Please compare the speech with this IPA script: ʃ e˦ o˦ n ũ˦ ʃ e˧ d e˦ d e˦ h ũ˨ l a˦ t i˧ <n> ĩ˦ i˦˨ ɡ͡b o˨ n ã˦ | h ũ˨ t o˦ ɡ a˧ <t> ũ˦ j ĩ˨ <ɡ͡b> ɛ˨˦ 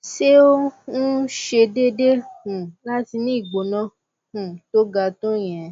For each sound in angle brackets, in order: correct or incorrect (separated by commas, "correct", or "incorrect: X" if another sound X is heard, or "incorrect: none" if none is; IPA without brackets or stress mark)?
correct, correct, incorrect: none